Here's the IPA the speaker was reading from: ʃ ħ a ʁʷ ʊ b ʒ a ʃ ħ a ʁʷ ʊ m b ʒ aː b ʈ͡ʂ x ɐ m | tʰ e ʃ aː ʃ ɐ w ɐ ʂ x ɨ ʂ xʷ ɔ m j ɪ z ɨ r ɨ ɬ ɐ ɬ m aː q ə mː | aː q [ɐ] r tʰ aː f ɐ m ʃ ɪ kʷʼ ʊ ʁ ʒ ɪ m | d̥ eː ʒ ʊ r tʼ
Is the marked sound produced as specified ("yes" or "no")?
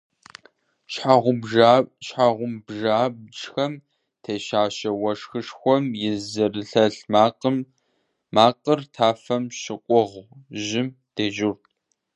no